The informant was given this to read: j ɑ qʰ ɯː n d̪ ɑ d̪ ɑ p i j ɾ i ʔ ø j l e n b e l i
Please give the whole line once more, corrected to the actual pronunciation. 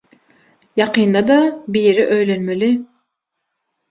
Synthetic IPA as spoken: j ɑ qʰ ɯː n d̪ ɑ d̪ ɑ b i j ɾ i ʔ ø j l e n m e l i

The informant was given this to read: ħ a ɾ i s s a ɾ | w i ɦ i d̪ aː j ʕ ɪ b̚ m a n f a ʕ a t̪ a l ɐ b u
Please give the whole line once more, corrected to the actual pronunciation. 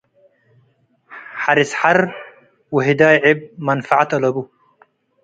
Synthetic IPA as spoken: ħ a ɾ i s ħ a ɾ | w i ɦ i d̪ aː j ʕ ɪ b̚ m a n f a ʕ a t̪ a l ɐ b u

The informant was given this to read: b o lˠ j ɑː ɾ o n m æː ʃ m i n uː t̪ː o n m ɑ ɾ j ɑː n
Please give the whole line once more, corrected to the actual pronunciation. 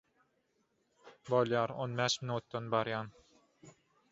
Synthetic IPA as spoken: b o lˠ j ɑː ɾ o n b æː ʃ m i n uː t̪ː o n b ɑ ɾ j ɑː n

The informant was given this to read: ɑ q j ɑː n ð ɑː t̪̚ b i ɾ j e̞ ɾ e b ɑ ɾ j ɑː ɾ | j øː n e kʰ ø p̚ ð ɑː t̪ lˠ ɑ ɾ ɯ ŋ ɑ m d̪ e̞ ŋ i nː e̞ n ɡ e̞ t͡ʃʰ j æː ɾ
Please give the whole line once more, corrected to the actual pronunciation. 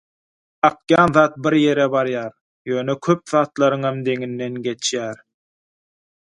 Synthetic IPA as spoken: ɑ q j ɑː n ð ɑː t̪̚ b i ɾ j e̞ ɾ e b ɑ ɾ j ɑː ɾ | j øː n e kʰ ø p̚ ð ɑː t̪ lˠ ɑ ɾ ɯ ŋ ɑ m d̪ e̞ ŋ i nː e̞ n ɡ e̞ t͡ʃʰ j æː ɾ

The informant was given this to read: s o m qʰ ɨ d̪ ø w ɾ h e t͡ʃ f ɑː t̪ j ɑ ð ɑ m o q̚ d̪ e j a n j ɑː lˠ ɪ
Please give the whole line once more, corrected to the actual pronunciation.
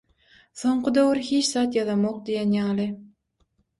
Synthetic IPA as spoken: s o ɴ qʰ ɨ d̪ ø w ɾ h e t͡ʃ s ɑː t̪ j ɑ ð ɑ m o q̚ d̪ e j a n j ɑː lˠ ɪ

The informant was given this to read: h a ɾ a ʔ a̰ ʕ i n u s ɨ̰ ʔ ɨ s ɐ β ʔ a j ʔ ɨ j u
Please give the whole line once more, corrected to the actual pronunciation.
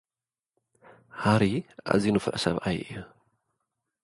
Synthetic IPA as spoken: h a ɾ i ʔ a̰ z i n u f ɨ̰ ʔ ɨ s ɐ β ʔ a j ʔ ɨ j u

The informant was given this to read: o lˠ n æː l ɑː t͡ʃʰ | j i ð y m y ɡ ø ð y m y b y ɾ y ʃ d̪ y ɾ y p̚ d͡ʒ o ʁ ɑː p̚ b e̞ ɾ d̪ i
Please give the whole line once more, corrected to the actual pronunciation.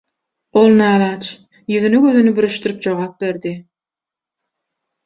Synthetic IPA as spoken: o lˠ n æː l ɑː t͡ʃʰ | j y ð y n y ɡ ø ð y n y b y ɾ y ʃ t̪ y ɾ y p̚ d͡ʒ o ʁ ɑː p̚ b e̞ ɾ d̪ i

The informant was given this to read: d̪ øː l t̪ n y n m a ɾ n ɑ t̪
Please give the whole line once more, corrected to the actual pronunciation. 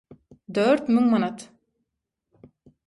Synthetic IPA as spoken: d̪ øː ɾ t̪ m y ŋ m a n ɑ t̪

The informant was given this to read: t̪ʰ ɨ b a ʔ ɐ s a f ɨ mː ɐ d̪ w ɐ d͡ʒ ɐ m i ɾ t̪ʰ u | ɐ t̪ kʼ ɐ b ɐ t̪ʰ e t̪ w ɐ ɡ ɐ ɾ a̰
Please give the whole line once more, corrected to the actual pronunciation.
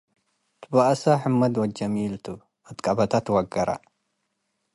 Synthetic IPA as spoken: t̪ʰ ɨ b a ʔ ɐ s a ħ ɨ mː ɐ d̪ w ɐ d͡ʒ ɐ m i l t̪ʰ u | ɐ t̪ kʼ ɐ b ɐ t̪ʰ a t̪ w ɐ ɡ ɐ ɾ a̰

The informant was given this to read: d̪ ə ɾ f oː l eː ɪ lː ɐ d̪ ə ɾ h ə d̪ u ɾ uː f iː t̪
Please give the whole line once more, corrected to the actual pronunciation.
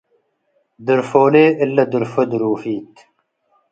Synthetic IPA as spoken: d̪ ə ɾ f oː l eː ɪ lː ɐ d̪ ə ɾ f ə d̪ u ɾ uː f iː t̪

